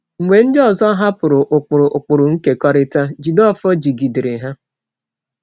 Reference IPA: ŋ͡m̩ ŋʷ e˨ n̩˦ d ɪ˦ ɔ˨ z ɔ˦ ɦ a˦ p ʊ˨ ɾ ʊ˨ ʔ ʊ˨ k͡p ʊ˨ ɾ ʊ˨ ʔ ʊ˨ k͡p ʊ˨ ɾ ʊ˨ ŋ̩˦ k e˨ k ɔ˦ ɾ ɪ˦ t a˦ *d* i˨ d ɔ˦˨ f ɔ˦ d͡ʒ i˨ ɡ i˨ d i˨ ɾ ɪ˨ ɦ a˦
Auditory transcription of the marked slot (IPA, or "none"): d͡ʒ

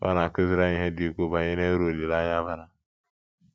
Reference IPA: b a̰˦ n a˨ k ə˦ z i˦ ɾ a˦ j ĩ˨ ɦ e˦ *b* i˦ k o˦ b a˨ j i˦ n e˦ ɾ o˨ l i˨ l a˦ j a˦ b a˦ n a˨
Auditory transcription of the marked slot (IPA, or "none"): d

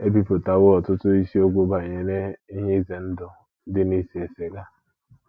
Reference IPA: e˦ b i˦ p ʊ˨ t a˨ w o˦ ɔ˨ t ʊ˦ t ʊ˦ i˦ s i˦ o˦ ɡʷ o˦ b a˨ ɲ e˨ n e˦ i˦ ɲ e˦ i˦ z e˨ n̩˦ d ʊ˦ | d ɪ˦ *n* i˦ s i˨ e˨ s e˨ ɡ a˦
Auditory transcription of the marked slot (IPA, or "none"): n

